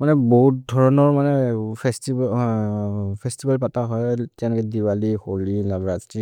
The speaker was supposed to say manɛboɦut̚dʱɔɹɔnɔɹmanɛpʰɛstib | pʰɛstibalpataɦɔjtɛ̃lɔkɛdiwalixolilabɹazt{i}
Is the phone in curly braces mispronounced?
no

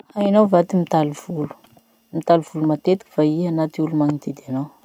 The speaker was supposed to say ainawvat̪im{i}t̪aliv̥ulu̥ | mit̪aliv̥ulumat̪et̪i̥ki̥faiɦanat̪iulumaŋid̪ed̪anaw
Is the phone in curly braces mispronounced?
no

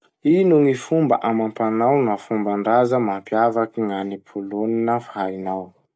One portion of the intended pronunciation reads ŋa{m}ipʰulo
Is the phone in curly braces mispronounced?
yes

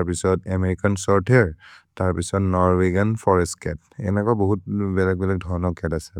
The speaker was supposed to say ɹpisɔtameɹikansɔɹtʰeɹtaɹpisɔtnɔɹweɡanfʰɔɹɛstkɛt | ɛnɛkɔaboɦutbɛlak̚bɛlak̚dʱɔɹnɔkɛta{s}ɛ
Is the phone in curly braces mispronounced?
no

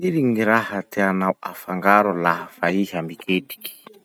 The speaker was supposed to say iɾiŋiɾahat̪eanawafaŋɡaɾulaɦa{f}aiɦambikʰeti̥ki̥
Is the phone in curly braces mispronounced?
no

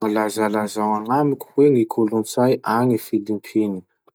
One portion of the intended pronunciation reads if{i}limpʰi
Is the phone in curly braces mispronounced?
no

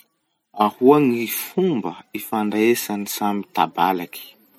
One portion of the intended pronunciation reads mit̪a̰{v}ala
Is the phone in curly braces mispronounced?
yes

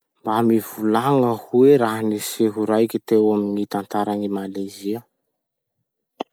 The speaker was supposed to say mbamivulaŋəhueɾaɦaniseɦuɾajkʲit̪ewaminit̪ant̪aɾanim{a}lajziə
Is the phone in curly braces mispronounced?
no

